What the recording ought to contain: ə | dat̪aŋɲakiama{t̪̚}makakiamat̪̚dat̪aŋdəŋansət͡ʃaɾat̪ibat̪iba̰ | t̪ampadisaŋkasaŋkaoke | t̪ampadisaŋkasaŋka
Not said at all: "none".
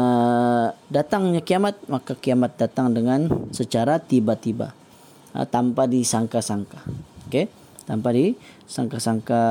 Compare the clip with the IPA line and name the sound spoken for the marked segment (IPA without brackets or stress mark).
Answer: t̪̚